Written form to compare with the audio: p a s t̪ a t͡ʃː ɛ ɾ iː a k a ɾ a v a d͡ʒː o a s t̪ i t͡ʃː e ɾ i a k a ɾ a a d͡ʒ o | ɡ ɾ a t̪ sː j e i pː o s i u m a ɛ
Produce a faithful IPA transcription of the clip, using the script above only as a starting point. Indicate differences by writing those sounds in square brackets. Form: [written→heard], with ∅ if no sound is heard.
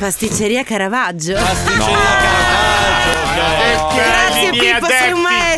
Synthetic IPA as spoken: p a s t̪ [a→i] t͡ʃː [ɛ→e] ɾ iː a k a ɾ a v a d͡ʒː o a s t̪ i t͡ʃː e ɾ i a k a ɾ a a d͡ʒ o | ɡ ɾ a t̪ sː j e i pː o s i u m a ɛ